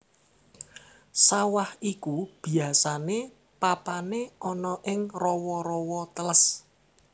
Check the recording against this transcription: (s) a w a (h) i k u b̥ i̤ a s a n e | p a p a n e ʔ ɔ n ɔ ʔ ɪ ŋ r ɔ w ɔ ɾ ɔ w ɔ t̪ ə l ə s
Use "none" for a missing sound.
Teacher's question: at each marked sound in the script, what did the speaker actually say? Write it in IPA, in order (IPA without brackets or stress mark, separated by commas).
s, h